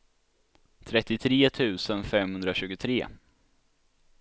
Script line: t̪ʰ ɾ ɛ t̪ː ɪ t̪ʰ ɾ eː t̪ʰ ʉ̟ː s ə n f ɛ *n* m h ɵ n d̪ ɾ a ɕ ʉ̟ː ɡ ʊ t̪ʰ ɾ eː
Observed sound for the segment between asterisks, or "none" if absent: none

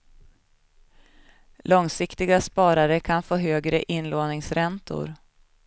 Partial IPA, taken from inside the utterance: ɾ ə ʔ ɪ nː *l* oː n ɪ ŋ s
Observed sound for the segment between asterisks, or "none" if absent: l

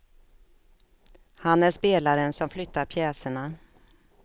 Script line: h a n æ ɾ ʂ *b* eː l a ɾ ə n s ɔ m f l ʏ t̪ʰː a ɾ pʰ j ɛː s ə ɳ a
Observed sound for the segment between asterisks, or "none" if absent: p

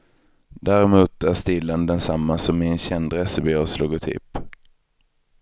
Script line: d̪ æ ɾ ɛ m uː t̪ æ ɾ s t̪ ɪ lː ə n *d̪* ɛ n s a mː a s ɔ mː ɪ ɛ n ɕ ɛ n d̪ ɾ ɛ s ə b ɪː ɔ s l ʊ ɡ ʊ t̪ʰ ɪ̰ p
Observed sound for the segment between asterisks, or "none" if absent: d̪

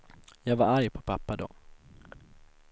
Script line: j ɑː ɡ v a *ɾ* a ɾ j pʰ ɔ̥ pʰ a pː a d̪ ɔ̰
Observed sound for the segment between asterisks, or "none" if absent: ɾ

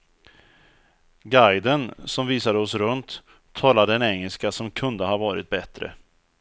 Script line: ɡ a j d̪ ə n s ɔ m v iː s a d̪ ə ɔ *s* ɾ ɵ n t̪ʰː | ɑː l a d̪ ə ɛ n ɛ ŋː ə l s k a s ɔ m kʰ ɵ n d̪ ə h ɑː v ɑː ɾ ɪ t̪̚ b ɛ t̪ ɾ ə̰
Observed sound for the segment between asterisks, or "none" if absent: s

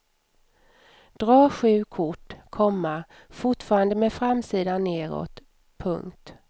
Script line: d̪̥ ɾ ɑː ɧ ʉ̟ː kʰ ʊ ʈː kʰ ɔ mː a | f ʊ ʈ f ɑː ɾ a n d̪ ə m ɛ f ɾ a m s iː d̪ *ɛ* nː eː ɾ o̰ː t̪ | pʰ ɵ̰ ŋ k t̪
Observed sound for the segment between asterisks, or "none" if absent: a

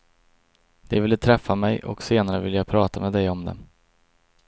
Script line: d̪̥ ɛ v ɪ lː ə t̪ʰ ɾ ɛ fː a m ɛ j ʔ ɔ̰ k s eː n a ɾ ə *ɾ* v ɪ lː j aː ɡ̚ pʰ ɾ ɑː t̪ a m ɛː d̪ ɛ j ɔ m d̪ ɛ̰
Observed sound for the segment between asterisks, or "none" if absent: none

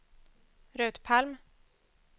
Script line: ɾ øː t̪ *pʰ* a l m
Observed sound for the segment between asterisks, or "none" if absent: pʰ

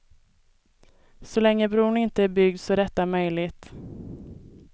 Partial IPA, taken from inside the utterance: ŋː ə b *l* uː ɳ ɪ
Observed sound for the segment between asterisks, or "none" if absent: ɾ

